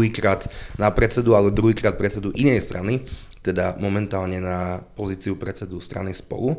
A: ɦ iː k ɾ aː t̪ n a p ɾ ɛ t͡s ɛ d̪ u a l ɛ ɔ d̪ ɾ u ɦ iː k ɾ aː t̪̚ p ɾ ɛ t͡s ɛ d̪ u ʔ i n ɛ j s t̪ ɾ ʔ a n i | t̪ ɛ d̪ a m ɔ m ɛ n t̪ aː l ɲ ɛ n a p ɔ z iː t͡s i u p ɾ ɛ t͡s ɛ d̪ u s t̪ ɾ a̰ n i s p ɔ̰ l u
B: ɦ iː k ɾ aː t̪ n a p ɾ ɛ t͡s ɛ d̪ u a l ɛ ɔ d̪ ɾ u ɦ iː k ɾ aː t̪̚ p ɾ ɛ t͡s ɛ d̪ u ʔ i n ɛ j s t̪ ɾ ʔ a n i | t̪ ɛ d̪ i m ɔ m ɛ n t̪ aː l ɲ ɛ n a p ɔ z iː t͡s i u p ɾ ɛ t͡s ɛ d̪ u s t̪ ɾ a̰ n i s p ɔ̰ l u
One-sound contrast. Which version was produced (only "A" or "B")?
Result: A